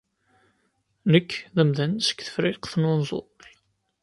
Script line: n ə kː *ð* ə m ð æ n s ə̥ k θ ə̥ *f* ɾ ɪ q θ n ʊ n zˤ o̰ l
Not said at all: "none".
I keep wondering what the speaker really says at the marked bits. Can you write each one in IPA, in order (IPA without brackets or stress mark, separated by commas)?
ð, f